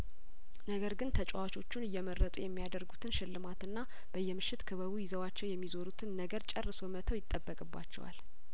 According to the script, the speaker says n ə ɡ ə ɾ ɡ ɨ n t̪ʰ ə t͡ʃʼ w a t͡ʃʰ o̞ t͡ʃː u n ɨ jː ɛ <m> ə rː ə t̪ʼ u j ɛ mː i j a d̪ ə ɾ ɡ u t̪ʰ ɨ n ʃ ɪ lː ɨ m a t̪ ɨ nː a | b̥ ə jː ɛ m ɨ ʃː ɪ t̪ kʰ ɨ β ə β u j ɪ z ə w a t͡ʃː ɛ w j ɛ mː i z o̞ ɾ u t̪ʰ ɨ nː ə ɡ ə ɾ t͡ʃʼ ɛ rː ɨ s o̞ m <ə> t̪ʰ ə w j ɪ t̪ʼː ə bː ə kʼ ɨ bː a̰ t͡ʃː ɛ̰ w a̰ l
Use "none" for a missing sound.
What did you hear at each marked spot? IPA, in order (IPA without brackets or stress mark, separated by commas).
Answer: m, ə